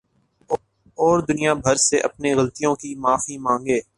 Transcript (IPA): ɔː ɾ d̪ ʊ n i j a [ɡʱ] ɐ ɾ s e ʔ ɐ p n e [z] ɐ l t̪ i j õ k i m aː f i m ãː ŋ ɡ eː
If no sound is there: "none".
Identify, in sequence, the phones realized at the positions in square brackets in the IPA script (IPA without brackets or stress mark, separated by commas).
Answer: bʱ, ɣ